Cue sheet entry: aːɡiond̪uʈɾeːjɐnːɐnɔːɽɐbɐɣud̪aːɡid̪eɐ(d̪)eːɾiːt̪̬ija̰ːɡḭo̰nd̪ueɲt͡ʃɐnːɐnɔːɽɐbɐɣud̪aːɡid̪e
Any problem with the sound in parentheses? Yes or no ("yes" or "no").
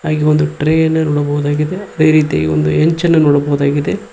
no